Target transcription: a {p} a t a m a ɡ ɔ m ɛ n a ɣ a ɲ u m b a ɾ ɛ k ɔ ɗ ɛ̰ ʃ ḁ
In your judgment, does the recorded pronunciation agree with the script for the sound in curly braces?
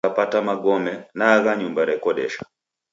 yes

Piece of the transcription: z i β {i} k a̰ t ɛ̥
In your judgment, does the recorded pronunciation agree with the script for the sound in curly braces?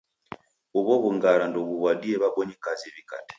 yes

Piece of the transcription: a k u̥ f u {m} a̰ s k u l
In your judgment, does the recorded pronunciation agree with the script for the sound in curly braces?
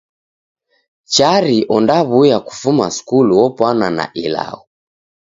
yes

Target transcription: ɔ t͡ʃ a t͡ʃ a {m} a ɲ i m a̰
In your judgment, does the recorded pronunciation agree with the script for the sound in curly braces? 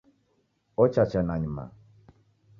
no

